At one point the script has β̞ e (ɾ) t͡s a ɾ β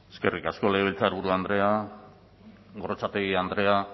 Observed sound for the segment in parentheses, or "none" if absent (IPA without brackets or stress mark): l